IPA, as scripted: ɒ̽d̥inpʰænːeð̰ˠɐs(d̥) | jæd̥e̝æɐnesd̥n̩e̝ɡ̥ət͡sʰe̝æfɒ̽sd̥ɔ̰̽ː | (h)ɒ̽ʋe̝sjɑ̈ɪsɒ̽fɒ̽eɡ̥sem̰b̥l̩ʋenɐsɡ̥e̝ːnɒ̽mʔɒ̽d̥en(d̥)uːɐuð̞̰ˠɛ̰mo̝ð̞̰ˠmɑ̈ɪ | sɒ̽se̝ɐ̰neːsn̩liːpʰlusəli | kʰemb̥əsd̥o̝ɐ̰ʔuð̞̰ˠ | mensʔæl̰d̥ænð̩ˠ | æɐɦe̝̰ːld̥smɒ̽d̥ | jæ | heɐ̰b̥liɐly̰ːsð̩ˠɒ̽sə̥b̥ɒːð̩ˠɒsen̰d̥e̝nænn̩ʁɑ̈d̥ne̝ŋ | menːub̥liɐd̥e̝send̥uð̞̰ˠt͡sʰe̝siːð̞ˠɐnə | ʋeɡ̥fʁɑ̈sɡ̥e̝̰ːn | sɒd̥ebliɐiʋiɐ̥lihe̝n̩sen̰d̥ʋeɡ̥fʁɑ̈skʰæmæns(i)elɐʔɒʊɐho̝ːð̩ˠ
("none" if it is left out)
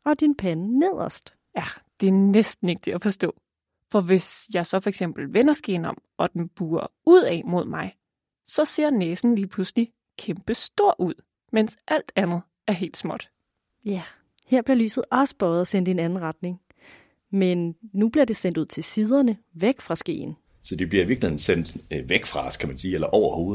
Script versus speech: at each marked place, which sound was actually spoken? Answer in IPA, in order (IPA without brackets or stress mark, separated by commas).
d̥, f, b̥, iː